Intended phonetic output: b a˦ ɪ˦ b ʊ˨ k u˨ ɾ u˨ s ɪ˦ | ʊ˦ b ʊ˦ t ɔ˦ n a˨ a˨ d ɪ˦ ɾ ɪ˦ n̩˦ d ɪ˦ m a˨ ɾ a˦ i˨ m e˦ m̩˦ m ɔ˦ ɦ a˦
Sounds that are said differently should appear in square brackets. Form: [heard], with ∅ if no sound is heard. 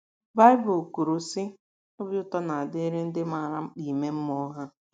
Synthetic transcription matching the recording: b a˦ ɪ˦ b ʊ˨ k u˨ ɾ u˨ s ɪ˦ | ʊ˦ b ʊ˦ t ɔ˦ n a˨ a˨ d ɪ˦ ɾ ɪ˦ n̩˦ d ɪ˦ m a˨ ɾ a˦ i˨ m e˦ m̩˦ m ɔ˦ ɦ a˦